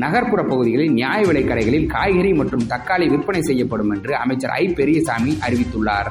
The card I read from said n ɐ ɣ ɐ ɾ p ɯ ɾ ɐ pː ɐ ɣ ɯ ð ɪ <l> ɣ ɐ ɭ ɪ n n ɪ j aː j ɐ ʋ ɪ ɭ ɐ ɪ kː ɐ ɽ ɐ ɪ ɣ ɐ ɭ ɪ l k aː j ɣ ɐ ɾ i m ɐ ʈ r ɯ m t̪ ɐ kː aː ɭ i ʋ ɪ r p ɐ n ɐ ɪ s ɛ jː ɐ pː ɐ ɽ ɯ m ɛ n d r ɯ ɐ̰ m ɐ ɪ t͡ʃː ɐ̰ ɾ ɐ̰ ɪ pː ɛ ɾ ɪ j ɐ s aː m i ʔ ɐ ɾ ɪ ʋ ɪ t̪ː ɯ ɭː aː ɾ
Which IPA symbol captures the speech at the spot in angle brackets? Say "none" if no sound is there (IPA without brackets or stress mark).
none